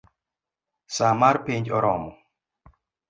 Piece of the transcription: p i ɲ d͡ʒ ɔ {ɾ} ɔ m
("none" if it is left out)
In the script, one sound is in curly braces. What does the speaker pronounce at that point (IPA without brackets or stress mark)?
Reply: ɾ